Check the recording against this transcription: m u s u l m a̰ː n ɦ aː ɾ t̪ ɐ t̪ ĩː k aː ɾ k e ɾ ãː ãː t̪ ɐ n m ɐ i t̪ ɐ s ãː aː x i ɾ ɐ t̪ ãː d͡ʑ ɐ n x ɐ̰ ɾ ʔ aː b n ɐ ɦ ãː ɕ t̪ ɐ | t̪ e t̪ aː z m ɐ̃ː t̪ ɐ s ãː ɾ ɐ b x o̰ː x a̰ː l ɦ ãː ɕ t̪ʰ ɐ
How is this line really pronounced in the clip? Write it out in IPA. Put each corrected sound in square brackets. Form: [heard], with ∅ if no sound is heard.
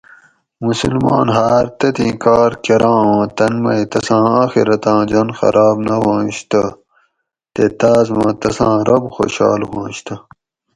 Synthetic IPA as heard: m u s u l m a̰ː n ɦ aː ɾ t̪ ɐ t̪ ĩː k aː ɾ k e ɾ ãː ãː t̪ ɐ n m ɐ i t̪ ɐ s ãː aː x i ɾ ɐ t̪ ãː d͡ʑ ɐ n x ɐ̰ ɾ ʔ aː b n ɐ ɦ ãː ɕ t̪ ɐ | t̪ e t̪ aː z m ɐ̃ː t̪ ɐ s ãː ɾ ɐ b x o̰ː [ɕ] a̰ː l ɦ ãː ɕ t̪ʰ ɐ